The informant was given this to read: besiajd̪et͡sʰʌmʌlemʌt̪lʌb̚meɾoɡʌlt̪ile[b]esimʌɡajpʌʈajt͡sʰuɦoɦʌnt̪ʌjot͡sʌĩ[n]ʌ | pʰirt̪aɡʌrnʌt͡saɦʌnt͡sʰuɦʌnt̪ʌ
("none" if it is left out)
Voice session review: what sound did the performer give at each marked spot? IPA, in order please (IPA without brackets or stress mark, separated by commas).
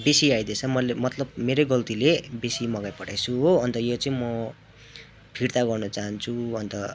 b, m